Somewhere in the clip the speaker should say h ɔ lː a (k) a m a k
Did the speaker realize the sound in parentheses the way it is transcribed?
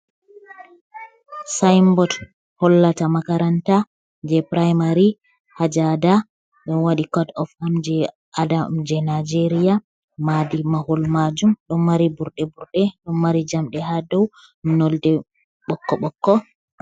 no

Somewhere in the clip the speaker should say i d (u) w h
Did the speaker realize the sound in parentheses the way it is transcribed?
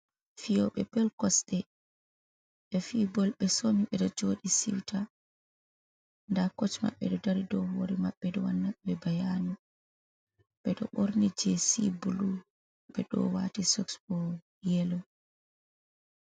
no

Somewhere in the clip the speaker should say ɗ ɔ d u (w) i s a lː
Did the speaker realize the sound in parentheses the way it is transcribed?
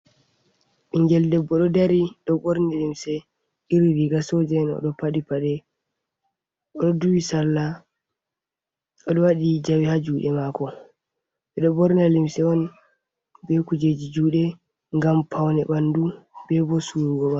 yes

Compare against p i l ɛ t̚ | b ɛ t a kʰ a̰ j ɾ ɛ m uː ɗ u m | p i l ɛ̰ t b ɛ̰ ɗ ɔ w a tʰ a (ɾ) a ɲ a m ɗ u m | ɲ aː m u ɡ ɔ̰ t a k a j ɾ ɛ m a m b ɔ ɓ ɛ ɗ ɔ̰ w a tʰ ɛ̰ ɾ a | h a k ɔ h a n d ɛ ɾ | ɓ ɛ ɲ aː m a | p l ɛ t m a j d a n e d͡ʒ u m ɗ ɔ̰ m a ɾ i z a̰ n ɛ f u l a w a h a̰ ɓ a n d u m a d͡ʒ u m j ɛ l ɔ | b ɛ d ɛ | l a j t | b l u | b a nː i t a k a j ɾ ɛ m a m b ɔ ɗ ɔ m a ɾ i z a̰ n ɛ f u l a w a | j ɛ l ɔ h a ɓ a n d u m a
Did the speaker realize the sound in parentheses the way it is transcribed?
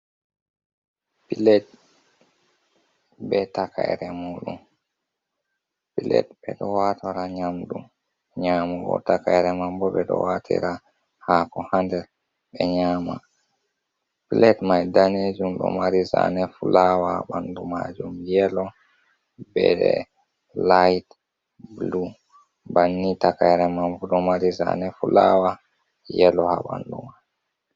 yes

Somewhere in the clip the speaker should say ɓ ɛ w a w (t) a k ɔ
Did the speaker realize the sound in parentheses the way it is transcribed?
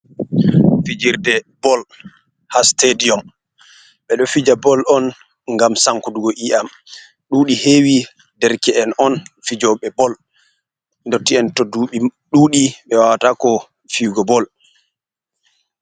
yes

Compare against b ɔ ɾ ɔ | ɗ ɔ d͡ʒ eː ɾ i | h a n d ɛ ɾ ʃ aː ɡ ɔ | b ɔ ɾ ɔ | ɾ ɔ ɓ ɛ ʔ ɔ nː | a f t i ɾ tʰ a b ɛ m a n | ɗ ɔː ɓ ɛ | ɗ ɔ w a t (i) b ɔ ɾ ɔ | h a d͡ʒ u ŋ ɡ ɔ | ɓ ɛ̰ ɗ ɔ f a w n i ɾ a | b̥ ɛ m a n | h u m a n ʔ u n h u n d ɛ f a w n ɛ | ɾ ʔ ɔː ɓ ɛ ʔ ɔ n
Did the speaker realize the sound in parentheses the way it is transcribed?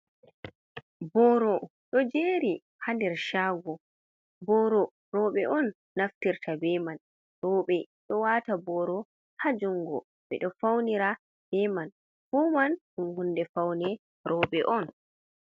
no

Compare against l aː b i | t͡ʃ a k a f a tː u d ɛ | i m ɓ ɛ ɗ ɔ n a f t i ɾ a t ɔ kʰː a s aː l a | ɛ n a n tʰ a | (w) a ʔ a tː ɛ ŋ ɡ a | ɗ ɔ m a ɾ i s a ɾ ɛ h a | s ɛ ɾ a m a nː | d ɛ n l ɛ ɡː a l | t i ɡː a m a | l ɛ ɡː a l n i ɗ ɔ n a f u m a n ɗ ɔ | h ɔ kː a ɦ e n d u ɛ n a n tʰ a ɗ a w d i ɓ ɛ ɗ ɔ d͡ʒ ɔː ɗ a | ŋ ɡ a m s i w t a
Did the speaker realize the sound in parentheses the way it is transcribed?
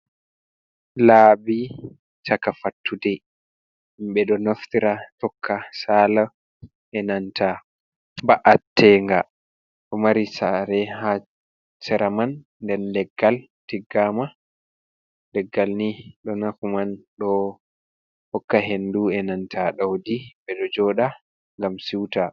no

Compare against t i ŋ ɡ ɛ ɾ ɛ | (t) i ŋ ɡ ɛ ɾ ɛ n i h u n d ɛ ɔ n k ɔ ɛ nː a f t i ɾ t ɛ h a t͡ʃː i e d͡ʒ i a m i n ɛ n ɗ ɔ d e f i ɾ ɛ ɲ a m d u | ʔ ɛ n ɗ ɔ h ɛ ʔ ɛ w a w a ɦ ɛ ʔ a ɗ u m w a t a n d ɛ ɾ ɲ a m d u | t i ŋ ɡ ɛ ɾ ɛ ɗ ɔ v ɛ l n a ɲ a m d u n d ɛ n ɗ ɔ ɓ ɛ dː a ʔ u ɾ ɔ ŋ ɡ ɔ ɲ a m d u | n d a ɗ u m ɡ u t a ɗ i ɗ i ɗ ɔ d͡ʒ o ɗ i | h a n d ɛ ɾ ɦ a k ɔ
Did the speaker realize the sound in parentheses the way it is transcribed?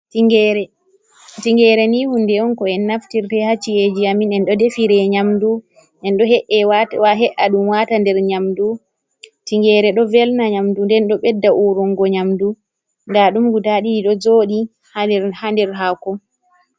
yes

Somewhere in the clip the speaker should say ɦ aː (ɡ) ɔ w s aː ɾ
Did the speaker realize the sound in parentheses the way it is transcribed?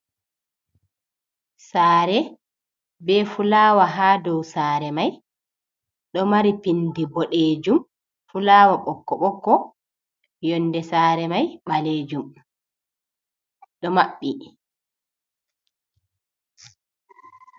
no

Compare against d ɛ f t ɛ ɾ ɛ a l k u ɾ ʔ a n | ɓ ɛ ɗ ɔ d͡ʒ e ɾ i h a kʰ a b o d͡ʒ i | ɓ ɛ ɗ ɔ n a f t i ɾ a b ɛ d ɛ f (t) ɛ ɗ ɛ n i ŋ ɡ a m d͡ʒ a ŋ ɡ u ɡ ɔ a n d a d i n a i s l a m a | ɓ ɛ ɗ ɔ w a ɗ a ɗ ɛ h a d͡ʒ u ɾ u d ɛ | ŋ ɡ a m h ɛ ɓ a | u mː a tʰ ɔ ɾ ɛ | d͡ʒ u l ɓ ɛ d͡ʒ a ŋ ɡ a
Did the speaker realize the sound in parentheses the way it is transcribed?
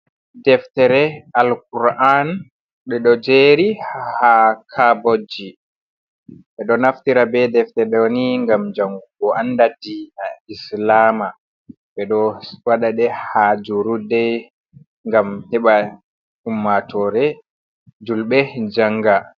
yes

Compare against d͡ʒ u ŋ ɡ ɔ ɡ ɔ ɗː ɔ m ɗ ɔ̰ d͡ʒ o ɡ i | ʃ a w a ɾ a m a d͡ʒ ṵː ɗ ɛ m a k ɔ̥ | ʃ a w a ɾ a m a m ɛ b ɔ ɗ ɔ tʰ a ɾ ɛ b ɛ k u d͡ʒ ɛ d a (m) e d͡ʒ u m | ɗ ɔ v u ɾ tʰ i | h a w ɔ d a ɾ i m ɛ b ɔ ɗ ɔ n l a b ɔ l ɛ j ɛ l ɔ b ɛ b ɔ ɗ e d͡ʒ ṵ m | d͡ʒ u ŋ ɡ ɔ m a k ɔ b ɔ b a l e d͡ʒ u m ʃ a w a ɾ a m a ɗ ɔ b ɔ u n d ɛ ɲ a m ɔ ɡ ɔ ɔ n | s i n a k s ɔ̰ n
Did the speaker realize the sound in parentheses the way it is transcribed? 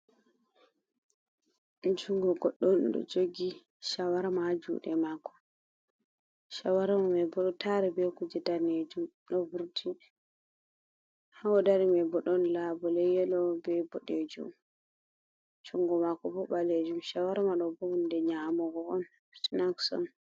no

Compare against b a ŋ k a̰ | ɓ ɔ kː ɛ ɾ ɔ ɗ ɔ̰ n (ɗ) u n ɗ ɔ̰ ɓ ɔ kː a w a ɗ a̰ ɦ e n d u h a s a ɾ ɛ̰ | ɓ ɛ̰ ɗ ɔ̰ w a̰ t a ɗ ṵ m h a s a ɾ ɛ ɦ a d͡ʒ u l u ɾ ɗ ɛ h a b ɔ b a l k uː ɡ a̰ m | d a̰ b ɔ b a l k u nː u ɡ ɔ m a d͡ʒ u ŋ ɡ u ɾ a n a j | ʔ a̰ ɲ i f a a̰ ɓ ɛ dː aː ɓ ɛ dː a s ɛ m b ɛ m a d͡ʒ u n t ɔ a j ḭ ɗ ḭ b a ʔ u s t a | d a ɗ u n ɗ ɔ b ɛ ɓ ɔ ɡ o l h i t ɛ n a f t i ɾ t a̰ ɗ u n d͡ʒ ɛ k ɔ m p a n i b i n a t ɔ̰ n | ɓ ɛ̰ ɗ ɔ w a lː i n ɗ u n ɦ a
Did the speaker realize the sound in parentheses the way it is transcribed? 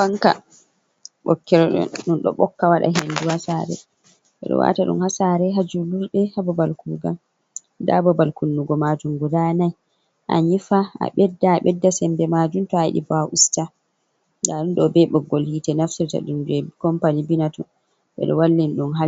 yes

